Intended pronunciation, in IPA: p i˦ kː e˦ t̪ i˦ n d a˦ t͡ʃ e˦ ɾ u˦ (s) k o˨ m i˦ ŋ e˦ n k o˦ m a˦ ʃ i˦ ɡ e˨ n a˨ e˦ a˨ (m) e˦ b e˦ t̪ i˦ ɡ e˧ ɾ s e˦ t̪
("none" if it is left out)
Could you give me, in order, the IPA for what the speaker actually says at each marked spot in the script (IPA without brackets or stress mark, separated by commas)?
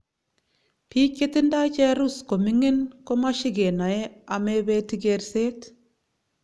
s, m